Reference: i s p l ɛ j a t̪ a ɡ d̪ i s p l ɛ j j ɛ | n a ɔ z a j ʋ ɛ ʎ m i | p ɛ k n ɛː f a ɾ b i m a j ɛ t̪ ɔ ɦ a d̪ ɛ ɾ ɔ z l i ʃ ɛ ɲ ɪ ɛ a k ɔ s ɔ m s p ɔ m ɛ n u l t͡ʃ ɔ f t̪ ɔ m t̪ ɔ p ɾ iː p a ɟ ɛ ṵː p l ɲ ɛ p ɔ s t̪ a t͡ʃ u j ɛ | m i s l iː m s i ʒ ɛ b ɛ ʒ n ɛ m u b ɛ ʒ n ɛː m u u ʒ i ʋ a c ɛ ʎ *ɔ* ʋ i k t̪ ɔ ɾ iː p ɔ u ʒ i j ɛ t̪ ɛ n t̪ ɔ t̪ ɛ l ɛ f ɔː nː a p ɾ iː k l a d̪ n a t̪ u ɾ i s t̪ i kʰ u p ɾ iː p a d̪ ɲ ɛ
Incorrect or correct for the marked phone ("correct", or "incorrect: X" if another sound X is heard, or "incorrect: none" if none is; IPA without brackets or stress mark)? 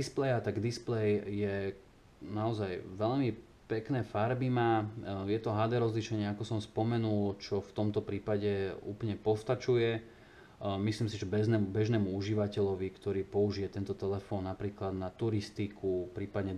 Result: correct